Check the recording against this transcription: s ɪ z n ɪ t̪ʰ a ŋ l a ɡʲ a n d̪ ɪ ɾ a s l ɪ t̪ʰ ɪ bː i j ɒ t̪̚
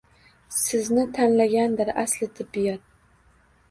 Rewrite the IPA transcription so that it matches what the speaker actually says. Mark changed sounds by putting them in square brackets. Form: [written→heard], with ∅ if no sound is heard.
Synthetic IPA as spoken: s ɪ z n ɪ t̪ʰ a [ŋ→n] l a ɡʲ a n d̪ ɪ ɾ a s l ɪ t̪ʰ ɪ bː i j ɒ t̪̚